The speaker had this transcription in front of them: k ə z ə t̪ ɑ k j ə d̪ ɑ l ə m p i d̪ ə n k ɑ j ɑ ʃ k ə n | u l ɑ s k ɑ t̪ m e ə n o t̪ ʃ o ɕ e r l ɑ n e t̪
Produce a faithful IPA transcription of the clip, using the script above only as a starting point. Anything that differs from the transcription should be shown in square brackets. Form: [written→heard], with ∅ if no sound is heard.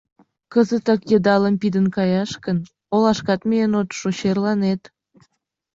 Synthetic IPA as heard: k ə z ə t̪ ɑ k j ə d̪ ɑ l ə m p i d̪ ə n k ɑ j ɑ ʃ k ə n | [u→o] l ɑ [s→ʃ] k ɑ t̪ m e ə n o t̪ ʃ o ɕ e r l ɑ n e t̪